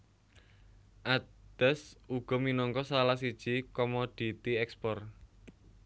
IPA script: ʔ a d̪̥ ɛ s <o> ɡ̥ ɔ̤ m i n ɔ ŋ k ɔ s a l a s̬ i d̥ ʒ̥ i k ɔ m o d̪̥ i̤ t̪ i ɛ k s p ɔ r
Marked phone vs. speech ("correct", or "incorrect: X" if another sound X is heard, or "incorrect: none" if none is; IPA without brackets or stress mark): incorrect: u